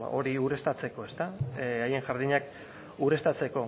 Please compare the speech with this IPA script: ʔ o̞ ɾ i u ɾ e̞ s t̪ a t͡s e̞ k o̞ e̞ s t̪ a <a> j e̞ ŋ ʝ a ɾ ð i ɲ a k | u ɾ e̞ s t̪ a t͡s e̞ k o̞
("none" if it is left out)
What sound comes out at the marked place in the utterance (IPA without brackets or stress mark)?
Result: a